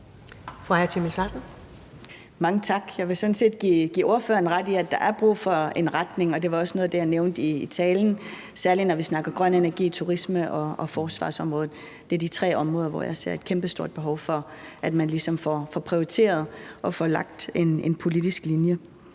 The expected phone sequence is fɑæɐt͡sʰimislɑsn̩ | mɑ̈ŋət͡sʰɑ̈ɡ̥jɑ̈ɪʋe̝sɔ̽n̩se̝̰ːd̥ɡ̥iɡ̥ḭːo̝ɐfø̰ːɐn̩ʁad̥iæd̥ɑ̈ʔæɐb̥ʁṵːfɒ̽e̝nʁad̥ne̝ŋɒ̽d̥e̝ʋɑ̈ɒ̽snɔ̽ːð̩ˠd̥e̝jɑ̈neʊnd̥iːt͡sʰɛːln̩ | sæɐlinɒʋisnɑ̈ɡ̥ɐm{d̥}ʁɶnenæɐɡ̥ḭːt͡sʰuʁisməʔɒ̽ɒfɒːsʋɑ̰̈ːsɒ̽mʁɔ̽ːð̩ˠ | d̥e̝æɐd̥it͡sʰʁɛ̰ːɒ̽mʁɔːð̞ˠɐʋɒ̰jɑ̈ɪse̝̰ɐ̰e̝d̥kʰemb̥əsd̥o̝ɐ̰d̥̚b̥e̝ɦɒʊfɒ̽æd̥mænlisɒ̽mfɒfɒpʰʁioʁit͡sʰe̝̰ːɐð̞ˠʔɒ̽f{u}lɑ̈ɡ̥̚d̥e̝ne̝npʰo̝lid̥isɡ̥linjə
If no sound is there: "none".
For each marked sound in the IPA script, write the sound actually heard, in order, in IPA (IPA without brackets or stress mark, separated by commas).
ɡ̥, ɒ